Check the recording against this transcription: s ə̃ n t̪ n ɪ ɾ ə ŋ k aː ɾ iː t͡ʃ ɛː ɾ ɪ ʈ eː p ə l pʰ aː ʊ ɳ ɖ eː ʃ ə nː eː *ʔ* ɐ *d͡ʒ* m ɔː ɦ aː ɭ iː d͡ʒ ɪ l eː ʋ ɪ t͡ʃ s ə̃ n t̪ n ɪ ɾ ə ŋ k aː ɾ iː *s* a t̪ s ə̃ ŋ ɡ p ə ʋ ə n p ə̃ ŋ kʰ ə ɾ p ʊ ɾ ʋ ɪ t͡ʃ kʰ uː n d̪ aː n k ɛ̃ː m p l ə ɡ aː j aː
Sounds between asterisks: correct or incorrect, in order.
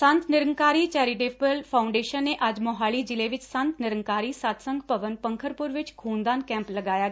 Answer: correct, correct, correct

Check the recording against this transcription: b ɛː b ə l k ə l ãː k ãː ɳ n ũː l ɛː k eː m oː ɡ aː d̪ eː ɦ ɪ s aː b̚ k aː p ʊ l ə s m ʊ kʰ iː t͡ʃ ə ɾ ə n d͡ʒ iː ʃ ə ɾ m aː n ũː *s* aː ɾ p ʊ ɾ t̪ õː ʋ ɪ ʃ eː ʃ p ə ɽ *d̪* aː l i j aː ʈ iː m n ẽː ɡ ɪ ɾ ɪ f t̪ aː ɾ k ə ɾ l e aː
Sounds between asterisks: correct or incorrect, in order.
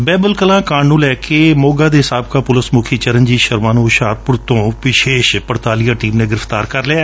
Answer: incorrect, incorrect

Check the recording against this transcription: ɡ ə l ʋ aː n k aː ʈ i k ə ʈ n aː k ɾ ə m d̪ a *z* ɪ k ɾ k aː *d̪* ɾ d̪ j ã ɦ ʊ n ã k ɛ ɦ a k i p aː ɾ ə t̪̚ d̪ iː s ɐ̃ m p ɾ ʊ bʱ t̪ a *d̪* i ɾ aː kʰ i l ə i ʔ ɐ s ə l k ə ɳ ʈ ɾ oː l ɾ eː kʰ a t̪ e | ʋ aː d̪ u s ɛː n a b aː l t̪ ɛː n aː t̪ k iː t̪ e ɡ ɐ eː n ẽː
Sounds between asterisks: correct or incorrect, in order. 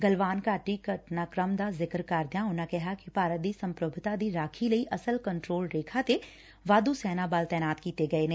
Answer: correct, incorrect, correct

